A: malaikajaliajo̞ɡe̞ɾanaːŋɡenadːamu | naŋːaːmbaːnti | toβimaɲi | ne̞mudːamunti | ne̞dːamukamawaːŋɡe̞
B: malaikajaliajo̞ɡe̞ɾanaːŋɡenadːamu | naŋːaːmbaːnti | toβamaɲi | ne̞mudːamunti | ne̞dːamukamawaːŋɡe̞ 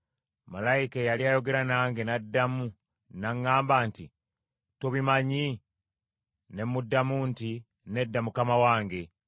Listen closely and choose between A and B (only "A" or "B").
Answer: A